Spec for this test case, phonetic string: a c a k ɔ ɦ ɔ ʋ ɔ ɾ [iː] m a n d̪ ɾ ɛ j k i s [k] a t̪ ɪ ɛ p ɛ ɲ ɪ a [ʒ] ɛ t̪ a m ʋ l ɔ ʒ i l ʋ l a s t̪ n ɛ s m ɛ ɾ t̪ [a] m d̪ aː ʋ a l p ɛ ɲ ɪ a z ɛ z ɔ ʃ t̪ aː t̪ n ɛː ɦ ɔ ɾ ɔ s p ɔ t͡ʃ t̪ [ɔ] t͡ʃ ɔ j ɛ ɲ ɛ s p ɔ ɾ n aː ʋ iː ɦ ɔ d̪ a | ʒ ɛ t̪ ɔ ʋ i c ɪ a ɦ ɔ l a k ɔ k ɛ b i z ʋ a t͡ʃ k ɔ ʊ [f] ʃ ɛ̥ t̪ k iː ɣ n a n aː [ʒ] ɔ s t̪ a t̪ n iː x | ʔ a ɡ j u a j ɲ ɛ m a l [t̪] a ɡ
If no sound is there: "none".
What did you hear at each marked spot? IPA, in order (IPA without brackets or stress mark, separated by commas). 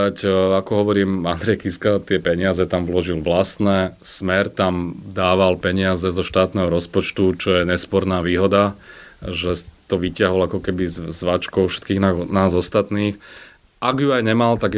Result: iː, k, z, a, u, f, z, t̪